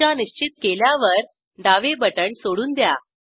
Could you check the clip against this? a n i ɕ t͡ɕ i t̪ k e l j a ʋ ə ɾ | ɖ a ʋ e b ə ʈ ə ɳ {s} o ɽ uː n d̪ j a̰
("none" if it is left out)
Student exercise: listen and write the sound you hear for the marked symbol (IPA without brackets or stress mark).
s